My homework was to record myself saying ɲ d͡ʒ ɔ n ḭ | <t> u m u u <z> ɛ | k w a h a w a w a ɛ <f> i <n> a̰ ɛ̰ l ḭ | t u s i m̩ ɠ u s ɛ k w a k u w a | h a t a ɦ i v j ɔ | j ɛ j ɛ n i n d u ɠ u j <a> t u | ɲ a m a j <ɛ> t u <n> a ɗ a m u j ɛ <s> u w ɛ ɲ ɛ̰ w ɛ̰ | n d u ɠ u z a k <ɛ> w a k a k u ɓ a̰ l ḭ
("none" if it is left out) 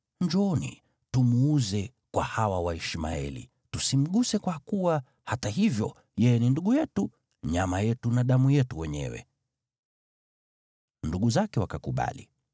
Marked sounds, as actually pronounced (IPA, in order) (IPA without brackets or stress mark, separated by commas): t, z, ʃ, m, ɛ, ɛ, n, t, ɛ